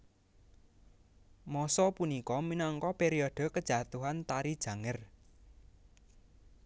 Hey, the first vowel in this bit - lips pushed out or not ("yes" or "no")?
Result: yes